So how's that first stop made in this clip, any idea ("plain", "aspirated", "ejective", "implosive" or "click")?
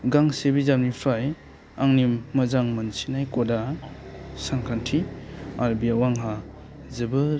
plain